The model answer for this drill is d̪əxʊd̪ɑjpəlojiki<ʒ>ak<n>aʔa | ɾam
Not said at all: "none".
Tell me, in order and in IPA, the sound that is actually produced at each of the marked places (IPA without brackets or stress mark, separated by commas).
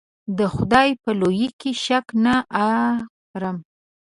ʃ, n